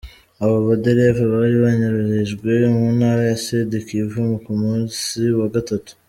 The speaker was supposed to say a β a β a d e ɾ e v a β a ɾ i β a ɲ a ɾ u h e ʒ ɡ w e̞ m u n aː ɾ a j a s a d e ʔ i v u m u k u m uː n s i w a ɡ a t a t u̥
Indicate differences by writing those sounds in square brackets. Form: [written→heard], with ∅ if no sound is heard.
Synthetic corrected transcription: a β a β a d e ɾ e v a β a ɾ i β a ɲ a ɾ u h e ʒ ɡ w e̞ m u n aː ɾ a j a s [a→e] d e [ʔ→k] i v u m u k u m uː n s i w a ɡ a t a t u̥